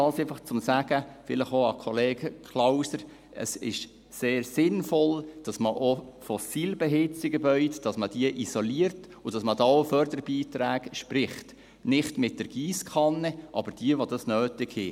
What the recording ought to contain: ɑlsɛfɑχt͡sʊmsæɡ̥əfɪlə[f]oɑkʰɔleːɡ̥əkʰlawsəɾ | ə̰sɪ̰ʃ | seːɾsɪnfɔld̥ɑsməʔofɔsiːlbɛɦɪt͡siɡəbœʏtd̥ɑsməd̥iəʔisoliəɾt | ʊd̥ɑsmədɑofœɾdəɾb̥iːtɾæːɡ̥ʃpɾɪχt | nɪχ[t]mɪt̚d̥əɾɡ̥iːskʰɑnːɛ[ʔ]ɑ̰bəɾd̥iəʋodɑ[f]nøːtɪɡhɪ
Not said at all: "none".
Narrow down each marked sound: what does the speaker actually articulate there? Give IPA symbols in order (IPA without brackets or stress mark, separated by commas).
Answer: χ, t, ʔ, s